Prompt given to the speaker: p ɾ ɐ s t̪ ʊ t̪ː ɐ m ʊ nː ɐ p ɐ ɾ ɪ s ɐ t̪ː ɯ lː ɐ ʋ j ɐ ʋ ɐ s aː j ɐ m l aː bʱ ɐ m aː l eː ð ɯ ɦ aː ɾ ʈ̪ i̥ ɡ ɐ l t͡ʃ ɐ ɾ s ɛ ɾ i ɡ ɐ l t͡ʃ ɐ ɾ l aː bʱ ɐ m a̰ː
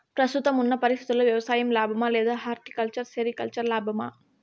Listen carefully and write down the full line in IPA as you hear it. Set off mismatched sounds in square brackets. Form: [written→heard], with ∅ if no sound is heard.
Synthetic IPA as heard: p ɾ ɐ s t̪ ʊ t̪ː ɐ m ʊ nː ɐ p ɐ ɾ ɪ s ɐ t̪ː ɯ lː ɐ ʋ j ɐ ʋ ɐ s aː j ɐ m l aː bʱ ɐ m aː l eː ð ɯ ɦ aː ɾ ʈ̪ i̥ [ɡ→k] ɐ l t͡ʃ ɐ ɾ s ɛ ɾ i [ɡ→k] ɐ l t͡ʃ ɐ ɾ l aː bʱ ɐ m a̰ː